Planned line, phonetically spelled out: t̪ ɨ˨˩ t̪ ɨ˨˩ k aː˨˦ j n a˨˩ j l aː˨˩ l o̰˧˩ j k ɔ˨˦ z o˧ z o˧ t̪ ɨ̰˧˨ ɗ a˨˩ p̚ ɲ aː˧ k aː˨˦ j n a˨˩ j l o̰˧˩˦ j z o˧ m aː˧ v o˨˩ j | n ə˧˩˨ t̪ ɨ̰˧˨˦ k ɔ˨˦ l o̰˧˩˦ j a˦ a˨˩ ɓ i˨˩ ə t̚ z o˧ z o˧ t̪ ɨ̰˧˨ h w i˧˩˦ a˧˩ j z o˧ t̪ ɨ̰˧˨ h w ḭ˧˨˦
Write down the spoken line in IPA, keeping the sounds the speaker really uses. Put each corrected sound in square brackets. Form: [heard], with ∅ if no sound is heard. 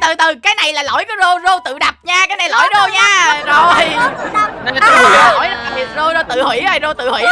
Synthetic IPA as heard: t̪ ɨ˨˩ t̪ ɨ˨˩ k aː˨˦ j n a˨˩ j l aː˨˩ l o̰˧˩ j k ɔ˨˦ z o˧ z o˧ t̪ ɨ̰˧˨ ɗ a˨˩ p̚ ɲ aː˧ k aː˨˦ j n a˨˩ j l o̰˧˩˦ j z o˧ [ɲ] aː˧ [z] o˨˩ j | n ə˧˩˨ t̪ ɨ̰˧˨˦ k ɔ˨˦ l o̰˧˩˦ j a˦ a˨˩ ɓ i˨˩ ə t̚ z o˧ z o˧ t̪ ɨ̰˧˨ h w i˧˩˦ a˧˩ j z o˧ t̪ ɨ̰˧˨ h w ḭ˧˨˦